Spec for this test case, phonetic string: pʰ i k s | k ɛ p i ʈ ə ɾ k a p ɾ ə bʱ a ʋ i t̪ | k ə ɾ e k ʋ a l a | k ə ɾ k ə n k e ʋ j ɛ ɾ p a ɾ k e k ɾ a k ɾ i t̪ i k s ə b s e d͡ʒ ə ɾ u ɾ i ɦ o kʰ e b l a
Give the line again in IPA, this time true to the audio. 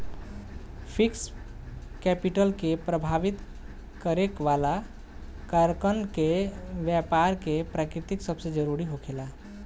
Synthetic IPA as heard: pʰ i k s | k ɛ p i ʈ ə l k e p ɾ ə bʱ a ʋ i t̪ | k ə ɾ e k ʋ a l a | k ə ɾ k ə n k e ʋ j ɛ p a ɾ k e p ɾ a k ɾ i t̪ i k s ə b s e d͡ʒ ə ɾ u ɾ i ɦ o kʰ e l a